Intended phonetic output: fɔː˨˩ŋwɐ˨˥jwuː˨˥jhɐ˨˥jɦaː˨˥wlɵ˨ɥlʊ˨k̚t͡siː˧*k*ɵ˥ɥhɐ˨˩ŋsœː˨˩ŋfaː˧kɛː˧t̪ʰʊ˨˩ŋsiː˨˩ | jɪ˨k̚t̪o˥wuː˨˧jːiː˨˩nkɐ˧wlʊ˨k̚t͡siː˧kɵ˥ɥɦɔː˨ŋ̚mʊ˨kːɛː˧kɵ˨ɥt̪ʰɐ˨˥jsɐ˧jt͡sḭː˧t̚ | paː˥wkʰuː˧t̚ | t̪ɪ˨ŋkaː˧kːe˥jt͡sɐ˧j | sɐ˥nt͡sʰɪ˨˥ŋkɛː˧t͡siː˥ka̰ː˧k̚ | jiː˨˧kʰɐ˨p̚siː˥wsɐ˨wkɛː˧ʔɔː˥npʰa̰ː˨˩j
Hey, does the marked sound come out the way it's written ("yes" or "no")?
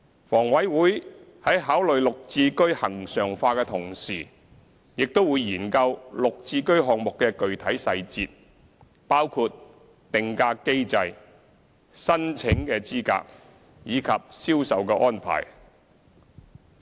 yes